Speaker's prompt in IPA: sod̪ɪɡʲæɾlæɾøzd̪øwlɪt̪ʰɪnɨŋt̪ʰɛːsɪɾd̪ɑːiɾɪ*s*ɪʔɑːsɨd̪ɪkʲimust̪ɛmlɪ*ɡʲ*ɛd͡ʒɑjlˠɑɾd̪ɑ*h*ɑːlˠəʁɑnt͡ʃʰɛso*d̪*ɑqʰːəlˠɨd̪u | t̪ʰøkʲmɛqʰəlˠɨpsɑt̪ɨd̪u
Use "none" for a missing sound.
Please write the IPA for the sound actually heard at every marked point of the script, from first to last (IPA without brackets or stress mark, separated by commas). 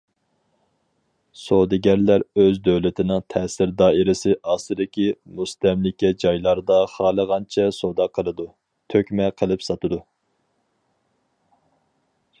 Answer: s, kʲ, χ, d̪